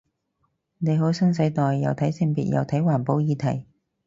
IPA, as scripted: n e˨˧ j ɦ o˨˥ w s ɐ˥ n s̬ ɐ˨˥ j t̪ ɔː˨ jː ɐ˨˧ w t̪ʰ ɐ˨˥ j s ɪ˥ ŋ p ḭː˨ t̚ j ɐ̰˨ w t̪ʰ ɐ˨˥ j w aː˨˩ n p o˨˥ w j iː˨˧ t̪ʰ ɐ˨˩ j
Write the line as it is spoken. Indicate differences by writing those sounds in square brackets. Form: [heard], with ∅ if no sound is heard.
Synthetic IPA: n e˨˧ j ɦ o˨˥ w s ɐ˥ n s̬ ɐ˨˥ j t̪ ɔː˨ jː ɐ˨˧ w t̪ʰ ɐ˨˥ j s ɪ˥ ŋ p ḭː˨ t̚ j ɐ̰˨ w t̪ʰ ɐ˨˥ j w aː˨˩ n p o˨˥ w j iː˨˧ t̪ʰ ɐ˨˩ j